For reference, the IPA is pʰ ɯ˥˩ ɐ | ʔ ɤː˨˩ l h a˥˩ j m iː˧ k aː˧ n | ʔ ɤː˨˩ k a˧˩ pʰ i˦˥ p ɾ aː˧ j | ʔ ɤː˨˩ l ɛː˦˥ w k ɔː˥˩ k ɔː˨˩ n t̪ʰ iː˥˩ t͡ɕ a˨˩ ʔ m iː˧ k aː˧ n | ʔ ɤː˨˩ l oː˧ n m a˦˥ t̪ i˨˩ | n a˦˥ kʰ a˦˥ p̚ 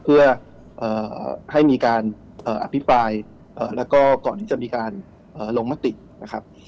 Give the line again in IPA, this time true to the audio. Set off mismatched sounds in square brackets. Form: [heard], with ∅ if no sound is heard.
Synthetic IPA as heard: pʰ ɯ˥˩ ɐ | ʔ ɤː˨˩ [∅] h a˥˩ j m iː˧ k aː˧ n | ʔ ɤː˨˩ [ʔ] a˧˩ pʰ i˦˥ p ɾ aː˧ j | ʔ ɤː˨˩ l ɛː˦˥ w k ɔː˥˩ k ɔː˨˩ n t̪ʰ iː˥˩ t͡ɕ a˨˩ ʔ m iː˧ k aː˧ n | ʔ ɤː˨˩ l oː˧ [ŋ] m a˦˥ t̪ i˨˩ | n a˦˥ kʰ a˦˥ p̚